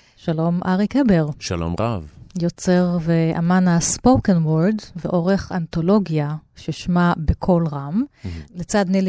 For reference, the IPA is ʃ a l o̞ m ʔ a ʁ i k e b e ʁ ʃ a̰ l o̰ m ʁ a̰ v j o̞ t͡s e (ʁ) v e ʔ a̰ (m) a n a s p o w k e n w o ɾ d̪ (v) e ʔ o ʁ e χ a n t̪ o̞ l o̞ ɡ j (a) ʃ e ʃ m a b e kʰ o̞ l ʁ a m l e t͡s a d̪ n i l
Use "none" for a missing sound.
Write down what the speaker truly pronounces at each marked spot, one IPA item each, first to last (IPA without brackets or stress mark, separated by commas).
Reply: ʁ, m, v, a